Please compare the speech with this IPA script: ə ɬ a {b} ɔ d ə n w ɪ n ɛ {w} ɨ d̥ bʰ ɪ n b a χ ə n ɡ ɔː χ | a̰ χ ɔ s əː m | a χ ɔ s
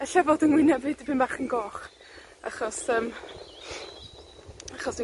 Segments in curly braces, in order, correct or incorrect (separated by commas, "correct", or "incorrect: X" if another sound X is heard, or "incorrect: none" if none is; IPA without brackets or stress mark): incorrect: v, incorrect: v